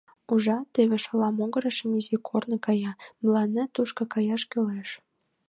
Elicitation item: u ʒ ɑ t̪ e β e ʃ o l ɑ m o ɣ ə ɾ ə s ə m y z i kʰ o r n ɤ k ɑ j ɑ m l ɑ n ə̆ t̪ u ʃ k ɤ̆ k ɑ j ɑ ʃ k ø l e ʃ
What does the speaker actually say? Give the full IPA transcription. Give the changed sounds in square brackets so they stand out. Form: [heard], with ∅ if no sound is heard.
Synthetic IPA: u ʒ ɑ t̪ e β e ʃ o l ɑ m o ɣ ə ɾ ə [ʃ] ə m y z i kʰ o r n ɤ k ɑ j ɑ m l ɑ n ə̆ t̪ u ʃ k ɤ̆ k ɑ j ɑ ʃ k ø l e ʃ